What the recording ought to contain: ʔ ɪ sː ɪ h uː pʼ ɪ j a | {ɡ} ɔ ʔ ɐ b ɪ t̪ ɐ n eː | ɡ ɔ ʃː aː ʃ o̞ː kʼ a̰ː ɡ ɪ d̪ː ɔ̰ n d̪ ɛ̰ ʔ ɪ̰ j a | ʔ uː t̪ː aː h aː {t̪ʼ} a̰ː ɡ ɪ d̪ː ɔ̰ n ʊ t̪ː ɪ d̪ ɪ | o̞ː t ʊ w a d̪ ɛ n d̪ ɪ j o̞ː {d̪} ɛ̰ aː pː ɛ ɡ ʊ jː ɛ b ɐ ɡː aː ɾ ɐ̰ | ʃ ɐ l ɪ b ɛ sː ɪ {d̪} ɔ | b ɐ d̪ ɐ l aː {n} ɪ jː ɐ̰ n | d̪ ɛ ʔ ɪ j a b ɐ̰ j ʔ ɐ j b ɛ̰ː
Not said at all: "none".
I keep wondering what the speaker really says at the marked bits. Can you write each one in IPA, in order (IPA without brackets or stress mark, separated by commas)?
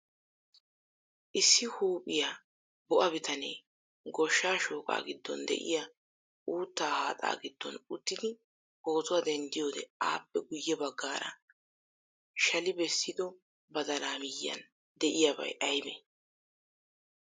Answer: b, t̪ʼ, d̪, d̪, m